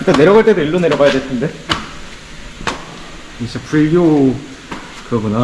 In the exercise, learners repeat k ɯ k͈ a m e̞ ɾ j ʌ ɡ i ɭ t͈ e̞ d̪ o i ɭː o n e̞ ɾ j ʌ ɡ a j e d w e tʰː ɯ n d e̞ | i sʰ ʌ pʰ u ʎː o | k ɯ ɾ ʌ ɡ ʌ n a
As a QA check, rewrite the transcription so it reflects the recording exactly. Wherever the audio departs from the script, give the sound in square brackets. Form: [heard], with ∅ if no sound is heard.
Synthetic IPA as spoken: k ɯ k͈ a [n] e̞ ɾ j ʌ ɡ [a] ɭ t͈ e̞ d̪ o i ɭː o n e̞ ɾ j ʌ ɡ a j [a] d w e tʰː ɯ n d e̞ | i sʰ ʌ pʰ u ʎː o | k ɯ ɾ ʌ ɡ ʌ n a